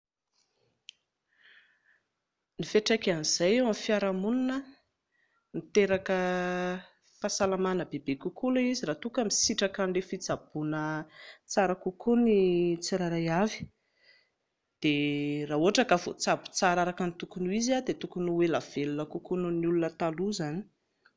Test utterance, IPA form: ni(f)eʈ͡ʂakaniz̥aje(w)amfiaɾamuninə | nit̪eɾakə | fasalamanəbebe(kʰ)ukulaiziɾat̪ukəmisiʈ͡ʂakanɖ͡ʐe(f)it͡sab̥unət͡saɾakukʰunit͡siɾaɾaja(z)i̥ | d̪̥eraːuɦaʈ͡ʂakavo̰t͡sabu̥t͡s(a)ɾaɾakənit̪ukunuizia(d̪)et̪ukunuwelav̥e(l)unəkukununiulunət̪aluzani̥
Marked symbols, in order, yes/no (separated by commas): yes, yes, no, yes, no, yes, yes, yes